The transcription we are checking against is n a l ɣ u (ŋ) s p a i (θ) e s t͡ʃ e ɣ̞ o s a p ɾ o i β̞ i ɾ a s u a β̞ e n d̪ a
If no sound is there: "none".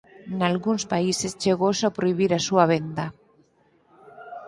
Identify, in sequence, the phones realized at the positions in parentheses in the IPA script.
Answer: n, s

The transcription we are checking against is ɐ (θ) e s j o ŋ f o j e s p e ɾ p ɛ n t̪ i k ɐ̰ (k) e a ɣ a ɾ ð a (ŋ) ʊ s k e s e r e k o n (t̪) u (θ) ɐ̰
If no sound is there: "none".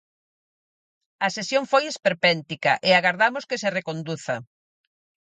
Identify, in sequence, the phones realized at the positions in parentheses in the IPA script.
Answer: s, ʔ, m, d̪, θ

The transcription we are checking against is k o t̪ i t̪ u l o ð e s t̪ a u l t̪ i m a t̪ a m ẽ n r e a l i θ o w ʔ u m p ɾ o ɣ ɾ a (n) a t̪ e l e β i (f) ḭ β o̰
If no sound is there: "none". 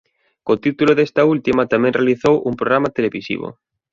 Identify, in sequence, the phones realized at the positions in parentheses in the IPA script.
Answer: m, s

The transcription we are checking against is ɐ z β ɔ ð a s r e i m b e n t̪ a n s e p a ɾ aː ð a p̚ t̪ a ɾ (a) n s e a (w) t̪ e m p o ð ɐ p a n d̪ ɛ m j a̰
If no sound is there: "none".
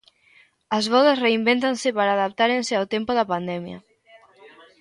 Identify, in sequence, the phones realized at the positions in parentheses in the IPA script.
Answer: e, w

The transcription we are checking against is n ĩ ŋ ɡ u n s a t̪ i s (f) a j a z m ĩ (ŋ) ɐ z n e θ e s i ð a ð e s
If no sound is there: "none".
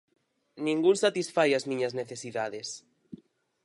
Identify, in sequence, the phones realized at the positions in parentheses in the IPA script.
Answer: f, ɲ

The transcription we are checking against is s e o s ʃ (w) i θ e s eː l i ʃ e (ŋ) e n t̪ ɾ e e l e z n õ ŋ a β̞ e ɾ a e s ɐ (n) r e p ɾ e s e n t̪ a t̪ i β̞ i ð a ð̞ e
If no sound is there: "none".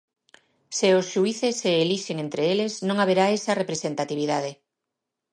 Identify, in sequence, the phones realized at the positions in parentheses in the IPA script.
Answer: u, ŋ, none

